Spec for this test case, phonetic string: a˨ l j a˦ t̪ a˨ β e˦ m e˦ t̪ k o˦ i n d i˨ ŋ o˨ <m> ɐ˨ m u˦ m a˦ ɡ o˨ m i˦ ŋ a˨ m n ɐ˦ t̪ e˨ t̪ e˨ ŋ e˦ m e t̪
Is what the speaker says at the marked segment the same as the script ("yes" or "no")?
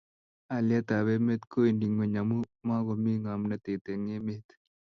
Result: no